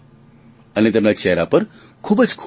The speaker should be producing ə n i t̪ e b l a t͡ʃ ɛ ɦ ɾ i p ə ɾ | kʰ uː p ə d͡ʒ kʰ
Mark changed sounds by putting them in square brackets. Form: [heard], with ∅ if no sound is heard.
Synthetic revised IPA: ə n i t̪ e [m] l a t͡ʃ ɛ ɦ ɾ [a] p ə ɾ | kʰ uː [b] ə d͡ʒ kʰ